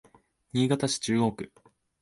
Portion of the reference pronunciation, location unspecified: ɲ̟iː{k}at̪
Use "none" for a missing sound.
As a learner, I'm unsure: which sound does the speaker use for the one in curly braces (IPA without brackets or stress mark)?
ɡ